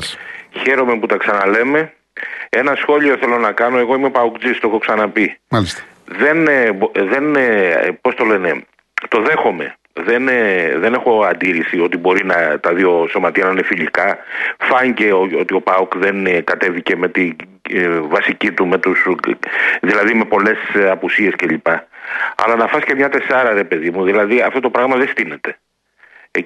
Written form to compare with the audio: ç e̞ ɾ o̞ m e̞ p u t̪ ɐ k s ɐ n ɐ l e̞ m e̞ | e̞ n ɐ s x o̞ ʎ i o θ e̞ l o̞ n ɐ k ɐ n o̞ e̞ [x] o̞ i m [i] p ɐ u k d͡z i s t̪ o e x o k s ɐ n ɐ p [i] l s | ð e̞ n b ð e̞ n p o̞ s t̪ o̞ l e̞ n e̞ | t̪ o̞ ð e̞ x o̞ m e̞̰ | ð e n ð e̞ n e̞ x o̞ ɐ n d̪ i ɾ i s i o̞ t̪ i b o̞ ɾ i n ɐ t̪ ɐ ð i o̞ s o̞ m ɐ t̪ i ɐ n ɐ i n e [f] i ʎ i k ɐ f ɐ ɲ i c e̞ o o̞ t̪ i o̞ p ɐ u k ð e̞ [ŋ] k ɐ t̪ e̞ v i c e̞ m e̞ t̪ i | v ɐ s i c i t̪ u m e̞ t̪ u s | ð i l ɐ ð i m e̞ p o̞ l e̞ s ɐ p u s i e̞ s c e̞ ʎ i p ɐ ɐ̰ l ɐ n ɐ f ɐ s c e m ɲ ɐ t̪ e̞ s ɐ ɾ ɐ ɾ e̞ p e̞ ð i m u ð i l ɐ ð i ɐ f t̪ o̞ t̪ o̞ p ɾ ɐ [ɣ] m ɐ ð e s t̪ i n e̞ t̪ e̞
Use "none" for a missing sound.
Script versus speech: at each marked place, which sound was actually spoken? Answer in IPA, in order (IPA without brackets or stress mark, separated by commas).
ɣ, e, i, f, n, ɣ